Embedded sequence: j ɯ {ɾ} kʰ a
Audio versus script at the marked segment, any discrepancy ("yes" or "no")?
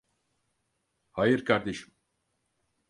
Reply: no